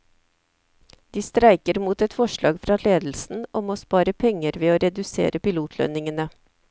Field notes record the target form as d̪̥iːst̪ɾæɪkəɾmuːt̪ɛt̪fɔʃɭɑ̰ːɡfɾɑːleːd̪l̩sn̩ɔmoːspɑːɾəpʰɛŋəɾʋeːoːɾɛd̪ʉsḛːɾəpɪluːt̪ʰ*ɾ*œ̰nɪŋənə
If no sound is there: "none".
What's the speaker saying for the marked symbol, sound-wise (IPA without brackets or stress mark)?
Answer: l